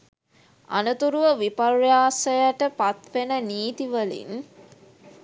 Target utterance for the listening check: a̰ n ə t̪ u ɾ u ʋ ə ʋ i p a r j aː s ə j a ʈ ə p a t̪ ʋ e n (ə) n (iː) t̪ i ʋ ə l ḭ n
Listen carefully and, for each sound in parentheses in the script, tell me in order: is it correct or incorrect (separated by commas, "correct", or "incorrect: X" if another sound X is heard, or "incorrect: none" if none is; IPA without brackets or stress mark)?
correct, correct